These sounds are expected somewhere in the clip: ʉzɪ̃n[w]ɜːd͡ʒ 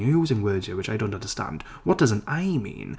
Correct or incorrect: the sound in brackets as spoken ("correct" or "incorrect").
correct